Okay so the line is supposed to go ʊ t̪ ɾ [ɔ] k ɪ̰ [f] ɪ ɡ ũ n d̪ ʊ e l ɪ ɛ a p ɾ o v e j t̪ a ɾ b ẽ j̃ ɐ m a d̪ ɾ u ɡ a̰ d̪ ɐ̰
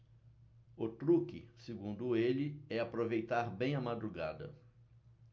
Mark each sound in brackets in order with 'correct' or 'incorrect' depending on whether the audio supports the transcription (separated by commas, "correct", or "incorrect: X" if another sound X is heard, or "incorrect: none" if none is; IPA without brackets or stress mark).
incorrect: u, incorrect: s